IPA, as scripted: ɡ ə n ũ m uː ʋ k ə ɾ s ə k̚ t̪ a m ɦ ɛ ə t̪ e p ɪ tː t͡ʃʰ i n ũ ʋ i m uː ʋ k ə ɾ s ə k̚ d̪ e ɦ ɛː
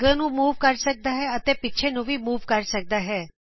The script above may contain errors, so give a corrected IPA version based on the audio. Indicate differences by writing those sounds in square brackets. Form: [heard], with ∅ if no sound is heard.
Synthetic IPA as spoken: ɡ ə n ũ m uː ʋ k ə ɾ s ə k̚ [d̪] a [∅] ɦ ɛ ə t̪ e p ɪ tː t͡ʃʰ [e] n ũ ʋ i m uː ʋ k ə ɾ s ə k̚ d̪ [a] ɦ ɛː